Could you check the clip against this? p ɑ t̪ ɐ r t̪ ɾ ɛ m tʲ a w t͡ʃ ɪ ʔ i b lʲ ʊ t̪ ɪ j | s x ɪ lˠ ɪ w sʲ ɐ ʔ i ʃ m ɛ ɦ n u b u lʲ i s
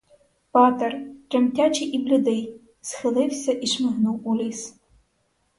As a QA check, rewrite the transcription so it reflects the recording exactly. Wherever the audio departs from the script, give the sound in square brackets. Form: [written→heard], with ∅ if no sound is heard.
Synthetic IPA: p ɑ t̪ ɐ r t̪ ɾ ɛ m tʲ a [w→∅] t͡ʃ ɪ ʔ i b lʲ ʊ [t̪→d̪] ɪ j | s x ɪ lˠ ɪ w sʲ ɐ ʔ i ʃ m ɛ ɦ n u [b→w] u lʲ i s